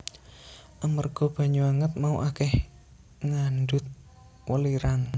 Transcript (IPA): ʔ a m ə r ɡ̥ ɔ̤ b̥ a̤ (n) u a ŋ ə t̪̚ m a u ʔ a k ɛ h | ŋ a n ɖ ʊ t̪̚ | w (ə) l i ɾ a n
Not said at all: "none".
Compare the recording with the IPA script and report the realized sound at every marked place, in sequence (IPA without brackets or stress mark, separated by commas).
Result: ɲ, ə